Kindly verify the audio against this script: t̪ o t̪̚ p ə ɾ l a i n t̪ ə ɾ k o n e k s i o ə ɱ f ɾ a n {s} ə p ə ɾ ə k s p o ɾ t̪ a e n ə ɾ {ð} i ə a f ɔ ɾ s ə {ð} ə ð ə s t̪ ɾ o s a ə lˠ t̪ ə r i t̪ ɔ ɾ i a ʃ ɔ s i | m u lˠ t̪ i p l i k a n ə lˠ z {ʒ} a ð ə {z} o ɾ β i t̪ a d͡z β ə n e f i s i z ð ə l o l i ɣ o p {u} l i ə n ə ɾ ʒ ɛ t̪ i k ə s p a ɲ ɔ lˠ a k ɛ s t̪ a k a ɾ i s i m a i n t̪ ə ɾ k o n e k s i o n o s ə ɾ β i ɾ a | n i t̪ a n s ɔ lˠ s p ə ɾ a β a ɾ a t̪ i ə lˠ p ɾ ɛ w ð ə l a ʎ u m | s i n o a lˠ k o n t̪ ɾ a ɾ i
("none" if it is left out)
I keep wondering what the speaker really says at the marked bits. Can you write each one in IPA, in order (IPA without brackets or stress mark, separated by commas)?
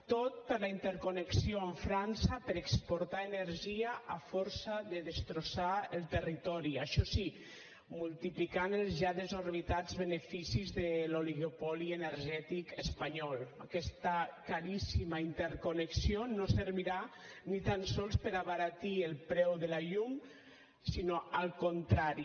s, ʒ, ð, ʒ, z, ɔ